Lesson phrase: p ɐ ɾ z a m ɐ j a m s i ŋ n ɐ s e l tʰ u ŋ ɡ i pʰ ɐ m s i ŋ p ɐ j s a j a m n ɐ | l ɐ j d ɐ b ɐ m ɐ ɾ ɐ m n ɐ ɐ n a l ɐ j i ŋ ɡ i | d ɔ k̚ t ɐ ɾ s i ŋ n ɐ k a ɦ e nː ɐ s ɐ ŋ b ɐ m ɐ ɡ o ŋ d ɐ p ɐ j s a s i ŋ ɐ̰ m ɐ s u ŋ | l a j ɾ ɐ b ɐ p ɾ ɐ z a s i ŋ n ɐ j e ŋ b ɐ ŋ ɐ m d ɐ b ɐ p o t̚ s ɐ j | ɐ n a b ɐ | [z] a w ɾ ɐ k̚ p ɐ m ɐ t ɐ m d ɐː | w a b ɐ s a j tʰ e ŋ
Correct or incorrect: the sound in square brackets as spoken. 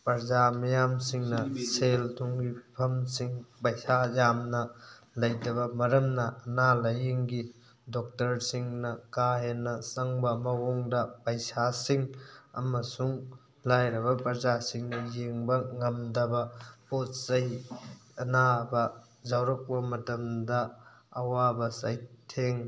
correct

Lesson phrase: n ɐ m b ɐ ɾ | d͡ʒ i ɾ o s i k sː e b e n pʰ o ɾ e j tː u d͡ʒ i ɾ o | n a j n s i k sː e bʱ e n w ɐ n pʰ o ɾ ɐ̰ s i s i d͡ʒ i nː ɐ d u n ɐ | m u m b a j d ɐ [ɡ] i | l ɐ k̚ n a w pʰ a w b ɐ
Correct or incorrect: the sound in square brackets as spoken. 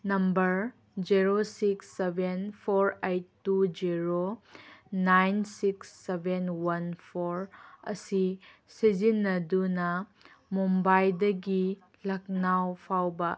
correct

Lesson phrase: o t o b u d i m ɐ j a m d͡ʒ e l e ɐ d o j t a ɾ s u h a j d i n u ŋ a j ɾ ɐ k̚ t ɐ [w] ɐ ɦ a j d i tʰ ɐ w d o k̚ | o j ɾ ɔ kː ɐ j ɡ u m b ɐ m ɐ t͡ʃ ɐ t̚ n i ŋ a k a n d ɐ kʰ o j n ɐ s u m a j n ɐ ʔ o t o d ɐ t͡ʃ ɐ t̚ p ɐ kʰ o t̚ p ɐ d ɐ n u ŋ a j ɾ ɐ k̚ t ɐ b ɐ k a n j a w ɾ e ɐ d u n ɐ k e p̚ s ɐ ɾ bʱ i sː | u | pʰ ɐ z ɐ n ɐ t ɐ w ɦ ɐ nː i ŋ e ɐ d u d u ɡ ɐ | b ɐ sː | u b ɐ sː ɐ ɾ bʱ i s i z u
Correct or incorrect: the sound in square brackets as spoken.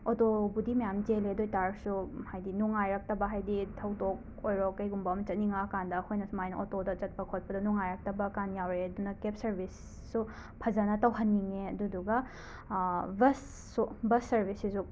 incorrect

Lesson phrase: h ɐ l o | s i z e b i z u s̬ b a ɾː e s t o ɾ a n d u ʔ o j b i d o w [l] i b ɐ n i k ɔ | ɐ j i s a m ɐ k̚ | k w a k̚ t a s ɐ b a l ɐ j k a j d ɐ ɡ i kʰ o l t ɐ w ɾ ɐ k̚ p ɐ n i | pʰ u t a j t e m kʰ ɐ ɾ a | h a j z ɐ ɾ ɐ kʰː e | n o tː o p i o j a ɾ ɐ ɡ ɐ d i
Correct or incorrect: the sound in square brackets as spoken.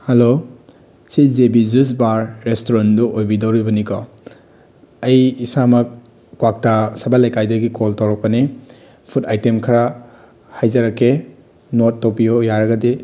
incorrect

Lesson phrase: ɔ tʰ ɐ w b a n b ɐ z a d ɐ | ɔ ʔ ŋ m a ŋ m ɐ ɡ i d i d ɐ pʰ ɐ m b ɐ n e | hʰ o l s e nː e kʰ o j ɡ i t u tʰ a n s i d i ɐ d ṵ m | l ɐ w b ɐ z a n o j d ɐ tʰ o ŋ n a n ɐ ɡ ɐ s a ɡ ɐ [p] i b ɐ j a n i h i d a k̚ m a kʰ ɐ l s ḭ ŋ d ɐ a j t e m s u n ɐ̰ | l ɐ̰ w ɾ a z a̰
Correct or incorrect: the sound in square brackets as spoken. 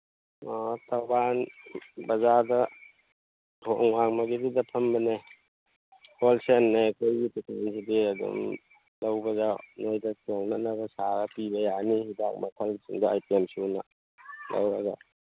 correct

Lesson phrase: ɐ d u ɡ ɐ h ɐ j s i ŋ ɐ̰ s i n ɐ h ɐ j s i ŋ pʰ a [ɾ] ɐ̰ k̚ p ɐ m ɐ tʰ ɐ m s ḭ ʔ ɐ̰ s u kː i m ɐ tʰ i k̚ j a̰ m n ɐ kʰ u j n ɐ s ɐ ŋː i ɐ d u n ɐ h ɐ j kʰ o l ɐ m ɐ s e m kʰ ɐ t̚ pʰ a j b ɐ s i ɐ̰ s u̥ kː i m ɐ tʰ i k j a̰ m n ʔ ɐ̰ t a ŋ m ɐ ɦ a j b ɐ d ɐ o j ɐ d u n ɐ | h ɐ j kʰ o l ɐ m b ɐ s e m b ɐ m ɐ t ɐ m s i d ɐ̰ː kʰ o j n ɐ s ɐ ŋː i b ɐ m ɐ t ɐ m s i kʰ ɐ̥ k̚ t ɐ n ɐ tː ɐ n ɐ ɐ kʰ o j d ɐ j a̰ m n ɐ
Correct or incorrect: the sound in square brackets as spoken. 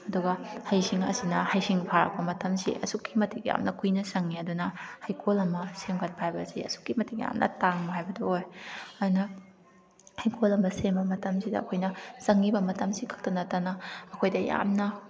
correct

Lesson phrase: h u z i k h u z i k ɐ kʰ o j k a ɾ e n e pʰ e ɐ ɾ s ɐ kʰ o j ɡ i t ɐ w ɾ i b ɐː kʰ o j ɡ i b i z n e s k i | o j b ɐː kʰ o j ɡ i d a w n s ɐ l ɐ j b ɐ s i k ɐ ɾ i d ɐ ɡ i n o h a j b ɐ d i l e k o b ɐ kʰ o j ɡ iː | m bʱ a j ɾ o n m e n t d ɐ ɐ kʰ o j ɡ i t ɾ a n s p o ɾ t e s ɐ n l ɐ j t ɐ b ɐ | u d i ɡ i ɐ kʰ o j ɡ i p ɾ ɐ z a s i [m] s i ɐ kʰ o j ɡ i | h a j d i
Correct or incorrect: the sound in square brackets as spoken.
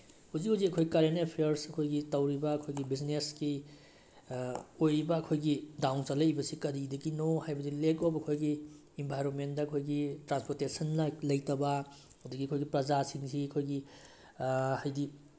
incorrect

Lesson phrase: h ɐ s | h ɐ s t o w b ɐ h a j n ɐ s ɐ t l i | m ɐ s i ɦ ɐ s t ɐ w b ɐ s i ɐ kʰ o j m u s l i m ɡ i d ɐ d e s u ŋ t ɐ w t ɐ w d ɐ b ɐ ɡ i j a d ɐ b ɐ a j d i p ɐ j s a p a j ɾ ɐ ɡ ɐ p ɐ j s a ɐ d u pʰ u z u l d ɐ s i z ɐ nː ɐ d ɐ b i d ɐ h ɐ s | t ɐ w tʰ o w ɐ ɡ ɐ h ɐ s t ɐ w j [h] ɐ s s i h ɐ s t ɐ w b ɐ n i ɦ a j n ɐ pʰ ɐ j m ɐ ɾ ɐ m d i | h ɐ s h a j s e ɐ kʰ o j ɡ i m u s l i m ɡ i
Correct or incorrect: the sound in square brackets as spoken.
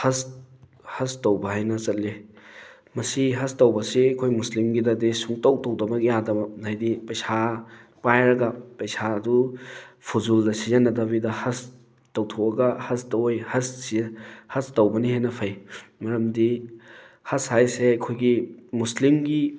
correct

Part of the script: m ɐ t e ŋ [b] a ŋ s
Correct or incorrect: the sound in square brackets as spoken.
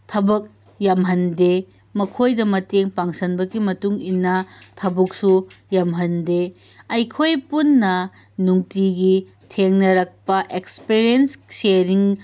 incorrect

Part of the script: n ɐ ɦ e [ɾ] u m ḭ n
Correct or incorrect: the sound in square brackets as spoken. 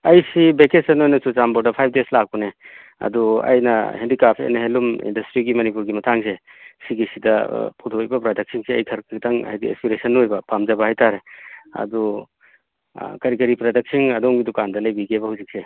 incorrect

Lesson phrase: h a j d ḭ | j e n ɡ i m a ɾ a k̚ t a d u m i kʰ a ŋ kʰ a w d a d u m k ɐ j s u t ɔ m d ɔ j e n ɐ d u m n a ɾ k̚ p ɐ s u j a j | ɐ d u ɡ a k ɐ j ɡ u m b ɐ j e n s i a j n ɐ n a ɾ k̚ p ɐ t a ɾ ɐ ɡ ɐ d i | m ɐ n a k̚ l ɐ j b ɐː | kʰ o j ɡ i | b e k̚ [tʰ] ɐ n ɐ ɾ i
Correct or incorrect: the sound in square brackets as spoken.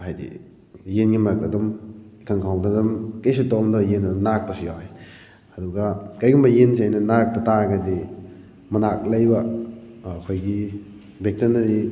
incorrect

